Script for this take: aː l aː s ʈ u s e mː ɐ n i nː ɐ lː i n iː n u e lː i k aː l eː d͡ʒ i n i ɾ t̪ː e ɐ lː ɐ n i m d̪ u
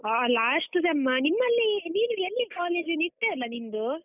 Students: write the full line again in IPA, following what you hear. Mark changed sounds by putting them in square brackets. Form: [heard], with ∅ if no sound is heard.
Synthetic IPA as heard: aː l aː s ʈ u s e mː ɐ n i [mː] ɐ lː i n iː n u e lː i k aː l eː d͡ʒ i n i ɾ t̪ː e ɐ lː ɐ n i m d̪ u